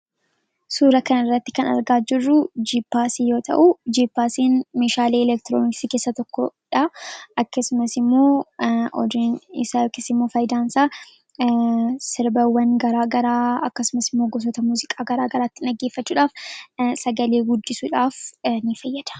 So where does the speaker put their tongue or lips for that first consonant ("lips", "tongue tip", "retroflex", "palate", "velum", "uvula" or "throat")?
tongue tip